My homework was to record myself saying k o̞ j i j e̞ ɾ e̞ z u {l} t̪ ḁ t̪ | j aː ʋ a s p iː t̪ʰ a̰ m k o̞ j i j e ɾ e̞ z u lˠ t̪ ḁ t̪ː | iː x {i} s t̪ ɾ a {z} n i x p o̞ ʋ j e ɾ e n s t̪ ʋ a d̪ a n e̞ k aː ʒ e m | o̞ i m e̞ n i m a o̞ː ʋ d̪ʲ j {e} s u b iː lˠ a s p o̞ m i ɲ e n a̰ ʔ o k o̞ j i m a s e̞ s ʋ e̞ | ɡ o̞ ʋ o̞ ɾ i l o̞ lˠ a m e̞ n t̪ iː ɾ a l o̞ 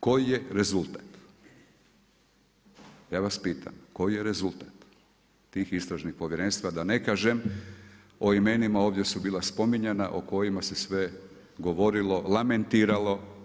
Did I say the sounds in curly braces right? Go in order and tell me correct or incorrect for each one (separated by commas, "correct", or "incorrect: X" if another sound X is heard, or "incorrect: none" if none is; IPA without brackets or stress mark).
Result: correct, correct, incorrect: ʒ, correct